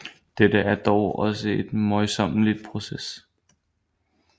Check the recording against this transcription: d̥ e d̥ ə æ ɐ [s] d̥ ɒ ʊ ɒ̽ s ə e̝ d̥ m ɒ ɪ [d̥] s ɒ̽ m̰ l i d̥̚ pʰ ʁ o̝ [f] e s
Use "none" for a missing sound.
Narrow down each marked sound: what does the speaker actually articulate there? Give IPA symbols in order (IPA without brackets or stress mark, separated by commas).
none, none, s